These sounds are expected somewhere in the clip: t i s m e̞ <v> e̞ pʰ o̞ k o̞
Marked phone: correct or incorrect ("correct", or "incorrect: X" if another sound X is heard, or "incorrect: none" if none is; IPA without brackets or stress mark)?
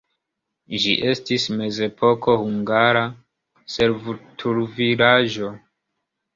incorrect: z